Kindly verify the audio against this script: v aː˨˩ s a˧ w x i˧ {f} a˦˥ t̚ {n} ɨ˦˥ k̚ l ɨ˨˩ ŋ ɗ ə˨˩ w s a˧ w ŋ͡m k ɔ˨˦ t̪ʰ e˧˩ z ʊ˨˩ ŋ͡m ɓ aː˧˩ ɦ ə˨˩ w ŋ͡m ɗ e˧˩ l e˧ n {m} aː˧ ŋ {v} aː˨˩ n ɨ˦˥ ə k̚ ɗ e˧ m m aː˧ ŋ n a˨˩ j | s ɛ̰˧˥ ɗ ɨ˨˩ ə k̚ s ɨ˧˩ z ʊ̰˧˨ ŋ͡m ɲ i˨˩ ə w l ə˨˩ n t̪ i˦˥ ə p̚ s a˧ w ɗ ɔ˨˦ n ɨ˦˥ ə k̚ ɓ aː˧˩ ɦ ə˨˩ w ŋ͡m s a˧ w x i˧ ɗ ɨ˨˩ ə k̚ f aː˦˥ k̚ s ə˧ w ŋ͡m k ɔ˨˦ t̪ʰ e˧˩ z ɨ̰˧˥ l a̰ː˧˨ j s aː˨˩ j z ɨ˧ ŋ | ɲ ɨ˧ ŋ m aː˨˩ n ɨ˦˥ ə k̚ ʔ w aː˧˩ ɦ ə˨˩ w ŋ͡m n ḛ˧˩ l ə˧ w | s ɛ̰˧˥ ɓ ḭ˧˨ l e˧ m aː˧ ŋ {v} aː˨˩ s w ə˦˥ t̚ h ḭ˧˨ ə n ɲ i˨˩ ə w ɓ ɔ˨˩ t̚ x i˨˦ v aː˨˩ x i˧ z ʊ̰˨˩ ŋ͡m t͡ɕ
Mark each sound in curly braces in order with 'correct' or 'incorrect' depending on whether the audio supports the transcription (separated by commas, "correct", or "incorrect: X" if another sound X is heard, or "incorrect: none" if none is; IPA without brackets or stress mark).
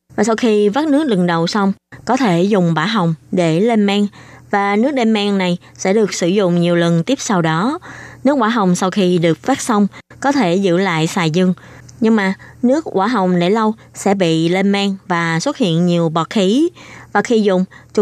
incorrect: v, correct, correct, correct, correct